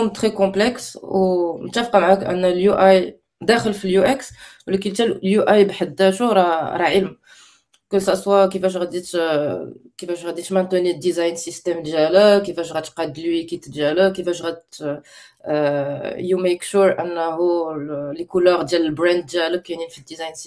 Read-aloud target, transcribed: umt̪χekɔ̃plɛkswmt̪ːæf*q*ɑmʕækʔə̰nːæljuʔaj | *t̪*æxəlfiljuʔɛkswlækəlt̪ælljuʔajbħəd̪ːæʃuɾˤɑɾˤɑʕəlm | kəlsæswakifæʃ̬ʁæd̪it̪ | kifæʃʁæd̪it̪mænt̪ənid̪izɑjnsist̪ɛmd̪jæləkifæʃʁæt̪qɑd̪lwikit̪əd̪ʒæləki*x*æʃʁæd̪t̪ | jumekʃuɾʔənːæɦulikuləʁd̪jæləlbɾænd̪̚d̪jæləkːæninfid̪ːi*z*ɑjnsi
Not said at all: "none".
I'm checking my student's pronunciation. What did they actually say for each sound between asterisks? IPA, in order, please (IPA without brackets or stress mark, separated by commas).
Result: q, d̪, f, z